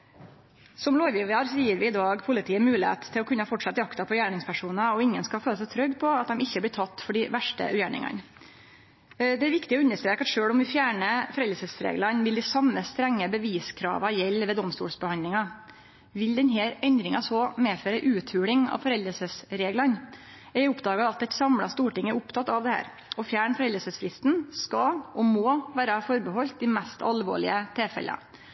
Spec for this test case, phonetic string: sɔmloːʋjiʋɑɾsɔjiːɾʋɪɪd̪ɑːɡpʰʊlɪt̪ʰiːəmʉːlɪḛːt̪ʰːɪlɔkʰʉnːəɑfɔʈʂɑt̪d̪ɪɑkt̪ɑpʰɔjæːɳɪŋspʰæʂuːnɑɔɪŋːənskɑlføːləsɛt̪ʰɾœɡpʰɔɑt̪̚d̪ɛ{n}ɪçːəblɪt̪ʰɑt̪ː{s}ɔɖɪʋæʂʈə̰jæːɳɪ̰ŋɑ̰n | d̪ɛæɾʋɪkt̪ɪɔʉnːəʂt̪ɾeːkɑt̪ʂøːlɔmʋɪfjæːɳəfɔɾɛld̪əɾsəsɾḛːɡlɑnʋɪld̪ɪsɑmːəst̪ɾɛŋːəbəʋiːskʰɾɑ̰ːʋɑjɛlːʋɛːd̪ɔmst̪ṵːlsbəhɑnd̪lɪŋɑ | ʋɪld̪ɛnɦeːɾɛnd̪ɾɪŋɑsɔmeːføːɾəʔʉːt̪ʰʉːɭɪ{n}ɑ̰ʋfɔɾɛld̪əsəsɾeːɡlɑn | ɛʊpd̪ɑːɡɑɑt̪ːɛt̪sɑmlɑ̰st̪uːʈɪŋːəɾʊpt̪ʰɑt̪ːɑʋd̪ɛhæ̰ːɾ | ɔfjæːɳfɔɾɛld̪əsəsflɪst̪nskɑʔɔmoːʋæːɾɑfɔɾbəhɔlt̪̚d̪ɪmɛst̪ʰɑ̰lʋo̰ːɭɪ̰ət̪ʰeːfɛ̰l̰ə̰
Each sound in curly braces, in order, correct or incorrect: incorrect, incorrect, incorrect

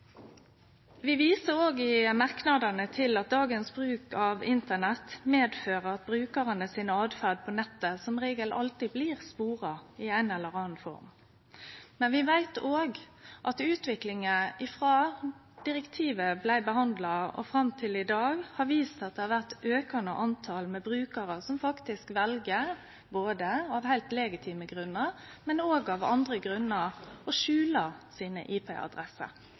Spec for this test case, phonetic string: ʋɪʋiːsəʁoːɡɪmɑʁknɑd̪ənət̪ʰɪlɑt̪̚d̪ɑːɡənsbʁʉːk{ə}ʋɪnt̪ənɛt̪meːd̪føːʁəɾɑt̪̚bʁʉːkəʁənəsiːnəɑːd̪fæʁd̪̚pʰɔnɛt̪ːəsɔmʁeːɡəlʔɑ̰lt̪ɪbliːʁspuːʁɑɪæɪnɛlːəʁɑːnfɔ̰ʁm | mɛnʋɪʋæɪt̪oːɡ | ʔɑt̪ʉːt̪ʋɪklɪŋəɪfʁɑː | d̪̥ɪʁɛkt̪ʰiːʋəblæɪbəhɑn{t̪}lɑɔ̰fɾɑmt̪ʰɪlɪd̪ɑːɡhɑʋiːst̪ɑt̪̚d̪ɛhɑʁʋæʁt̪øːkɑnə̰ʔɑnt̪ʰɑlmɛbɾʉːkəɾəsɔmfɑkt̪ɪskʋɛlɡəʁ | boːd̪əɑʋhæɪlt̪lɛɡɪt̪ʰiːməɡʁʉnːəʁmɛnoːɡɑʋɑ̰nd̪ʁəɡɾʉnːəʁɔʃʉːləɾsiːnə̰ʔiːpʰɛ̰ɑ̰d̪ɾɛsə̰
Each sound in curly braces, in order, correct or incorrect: incorrect, incorrect

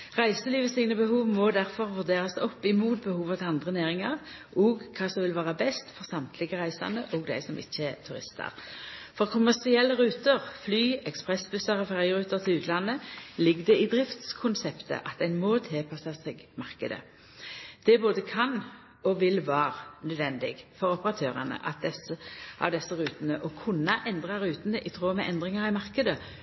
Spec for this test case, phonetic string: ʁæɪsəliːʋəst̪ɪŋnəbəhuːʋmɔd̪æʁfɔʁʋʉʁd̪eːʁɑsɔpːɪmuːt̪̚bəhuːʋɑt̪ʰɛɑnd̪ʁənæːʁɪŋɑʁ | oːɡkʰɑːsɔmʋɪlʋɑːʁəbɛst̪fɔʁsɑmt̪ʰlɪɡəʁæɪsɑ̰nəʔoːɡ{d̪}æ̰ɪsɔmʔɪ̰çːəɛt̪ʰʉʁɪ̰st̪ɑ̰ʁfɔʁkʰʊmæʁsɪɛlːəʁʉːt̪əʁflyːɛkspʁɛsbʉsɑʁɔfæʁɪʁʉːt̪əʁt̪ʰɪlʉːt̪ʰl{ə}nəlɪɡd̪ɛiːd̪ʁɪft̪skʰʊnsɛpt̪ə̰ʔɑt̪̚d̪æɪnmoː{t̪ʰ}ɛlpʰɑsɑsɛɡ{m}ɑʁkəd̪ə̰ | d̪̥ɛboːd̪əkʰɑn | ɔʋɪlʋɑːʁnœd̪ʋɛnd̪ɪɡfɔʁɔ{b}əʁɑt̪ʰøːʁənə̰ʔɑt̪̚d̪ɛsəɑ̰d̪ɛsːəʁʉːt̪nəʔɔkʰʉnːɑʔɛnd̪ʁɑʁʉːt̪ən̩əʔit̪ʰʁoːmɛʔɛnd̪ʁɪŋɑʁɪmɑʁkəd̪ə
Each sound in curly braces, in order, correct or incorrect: correct, incorrect, correct, correct, incorrect

